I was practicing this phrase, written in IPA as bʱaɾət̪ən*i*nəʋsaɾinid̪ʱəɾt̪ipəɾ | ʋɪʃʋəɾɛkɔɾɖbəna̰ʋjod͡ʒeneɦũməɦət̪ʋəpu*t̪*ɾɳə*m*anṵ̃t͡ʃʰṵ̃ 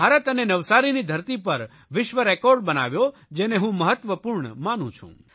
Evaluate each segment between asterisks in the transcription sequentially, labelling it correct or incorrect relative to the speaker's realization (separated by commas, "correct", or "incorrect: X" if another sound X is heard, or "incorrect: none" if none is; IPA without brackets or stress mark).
incorrect: e, incorrect: none, correct